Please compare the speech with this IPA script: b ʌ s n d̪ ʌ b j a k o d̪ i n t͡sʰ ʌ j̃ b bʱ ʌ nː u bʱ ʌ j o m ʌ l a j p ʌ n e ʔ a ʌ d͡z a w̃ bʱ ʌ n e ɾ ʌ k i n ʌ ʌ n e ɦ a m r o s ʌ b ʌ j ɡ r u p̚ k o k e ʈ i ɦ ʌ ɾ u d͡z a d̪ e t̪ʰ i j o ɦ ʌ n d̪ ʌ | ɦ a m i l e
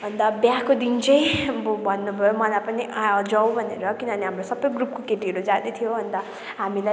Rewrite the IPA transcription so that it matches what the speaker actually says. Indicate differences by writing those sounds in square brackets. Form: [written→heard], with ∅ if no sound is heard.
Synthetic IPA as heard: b ʌ [s→∅] n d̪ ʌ b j a k o d̪ i n [t͡sʰ→t͡s] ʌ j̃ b bʱ ʌ nː u bʱ ʌ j o m ʌ l a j p ʌ n [e→i] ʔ a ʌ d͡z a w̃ bʱ ʌ n e ɾ ʌ k i n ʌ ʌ n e ɦ a m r o s ʌ b ʌ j ɡ r u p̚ k o k e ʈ i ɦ ʌ ɾ u d͡z a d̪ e t̪ʰ i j o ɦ ʌ n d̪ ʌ | ɦ a m i l [e→a]